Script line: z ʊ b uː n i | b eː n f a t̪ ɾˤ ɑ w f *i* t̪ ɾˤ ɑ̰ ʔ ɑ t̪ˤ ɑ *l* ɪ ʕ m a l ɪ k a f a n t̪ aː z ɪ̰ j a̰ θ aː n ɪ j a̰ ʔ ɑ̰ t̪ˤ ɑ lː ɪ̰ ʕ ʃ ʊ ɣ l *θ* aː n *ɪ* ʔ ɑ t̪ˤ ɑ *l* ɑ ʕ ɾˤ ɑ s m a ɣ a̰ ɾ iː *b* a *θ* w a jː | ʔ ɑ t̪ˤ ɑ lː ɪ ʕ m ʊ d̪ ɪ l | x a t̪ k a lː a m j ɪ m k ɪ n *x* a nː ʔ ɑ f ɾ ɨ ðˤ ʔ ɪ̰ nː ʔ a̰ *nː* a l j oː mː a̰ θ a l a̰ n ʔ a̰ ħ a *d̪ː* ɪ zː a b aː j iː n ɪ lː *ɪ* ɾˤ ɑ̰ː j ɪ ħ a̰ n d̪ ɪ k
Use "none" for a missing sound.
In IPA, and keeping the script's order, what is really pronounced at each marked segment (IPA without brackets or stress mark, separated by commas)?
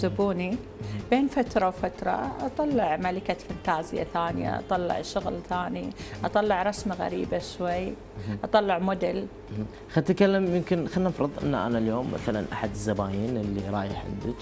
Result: a, lː, θ, i, lː, b, ʃ, x, n, d̪, i